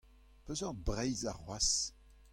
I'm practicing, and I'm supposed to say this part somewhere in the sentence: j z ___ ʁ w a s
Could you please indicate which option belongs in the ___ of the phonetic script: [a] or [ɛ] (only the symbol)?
a